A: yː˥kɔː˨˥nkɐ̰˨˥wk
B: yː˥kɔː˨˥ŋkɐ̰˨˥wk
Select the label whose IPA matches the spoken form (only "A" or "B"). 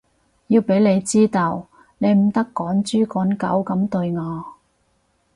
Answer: A